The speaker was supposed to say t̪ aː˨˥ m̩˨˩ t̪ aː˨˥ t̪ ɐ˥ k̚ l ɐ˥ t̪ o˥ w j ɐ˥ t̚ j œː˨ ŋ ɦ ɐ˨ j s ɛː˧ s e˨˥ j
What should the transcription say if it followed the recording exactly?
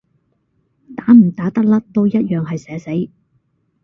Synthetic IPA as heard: t̪ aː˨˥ m̩˨˩ t̪ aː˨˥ t̪ ɐ˥ k̚ l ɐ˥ t̪ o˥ w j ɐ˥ t̚ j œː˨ ŋ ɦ ɐ˨ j s ɛː˨˥ s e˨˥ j